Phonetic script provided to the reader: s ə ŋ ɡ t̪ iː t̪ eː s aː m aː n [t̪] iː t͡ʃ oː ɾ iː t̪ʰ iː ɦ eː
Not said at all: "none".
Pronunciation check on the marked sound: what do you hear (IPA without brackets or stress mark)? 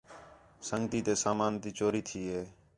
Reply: t̪